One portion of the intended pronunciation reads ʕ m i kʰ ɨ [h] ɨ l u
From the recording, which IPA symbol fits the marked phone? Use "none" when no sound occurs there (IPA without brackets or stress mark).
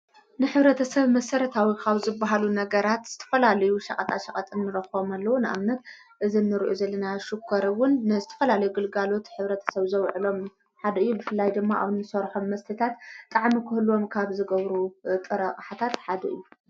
h